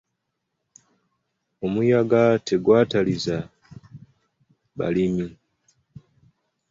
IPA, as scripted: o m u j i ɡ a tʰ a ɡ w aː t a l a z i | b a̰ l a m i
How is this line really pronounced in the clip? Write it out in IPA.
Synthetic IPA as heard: o m u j a ɡ a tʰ e ɡ w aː t a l i z a | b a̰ l i m i